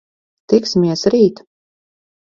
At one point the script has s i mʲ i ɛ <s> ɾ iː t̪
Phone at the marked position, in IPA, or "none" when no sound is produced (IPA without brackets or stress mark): s